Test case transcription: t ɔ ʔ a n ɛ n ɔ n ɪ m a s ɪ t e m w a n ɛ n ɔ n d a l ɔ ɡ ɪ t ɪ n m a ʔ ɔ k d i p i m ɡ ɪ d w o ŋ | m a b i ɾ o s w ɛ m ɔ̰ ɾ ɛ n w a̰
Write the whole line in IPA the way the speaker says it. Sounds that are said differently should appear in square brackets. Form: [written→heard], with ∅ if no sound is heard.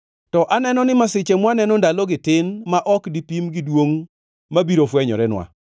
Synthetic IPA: t ɔ ʔ a n ɛ n ɔ n ɪ m a s ɪ [t→t͡ʃ] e m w a n ɛ n ɔ n d a l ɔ ɡ ɪ t ɪ n m a ʔ ɔ k d i p i m ɡ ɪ d w o ŋ | m a b i ɾ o [s→f] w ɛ [m→ɲ] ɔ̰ ɾ ɛ n w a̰